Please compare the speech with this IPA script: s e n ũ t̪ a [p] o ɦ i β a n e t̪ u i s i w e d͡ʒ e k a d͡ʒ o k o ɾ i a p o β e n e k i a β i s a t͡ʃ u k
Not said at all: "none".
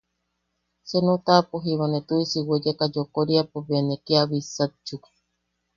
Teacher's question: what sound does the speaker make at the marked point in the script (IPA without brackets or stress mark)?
p